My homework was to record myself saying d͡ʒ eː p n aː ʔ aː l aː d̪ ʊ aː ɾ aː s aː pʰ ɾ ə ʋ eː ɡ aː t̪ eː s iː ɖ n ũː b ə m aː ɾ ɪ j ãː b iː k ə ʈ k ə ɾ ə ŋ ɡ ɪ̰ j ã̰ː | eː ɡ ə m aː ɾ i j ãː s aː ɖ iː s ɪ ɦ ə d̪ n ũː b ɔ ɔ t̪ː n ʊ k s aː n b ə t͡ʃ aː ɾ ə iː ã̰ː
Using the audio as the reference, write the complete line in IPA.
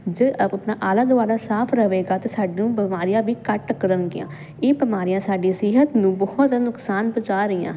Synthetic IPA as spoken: d͡ʒ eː p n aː ʔ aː l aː d̪ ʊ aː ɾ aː s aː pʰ ɾ ə ʋ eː ɡ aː t̪ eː s aː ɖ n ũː b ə m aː ɾ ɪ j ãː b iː k ə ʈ k ə ɾ ə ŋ ɡ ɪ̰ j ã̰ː | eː b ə m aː ɾ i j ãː s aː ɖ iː s ɪ ɦ ə t̪ n ũː b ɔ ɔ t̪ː n ʊ k s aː n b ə t͡ʃ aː ɾ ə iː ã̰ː